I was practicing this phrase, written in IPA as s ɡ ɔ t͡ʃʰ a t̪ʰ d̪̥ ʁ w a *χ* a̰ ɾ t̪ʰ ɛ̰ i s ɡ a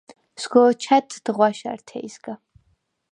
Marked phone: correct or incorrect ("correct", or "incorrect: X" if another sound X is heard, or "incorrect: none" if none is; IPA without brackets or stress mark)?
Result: incorrect: ʃ